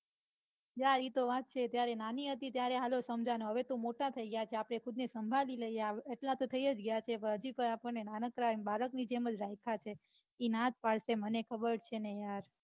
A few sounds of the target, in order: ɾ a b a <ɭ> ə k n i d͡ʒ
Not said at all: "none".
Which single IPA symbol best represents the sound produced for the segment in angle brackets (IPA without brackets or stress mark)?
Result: ɾ